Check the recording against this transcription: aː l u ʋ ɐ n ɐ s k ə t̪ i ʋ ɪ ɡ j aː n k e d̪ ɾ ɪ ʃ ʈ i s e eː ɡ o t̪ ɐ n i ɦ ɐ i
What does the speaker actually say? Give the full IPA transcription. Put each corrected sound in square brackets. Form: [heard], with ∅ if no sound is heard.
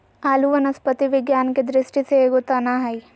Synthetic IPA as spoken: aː l u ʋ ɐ n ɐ s [p] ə t̪ i ʋ ɪ ɡ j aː n k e d̪ ɾ ɪ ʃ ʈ i s e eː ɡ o t̪ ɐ n [a] ɦ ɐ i